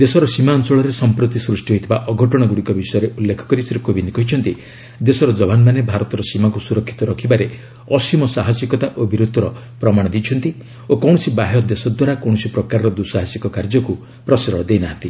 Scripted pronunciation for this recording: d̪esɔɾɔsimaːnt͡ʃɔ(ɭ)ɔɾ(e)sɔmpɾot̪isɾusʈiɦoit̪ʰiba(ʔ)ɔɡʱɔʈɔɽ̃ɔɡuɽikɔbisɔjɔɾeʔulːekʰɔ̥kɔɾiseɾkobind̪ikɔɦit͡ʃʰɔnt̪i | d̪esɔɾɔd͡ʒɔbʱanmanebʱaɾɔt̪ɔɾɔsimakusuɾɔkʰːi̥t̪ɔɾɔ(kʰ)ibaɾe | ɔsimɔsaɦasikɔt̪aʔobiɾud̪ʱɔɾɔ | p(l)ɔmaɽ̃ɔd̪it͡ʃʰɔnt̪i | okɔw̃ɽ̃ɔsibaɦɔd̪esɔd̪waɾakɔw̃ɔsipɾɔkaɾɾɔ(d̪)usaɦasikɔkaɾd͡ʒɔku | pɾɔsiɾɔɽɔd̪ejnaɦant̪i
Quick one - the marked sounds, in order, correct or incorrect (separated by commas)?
correct, correct, correct, correct, incorrect, correct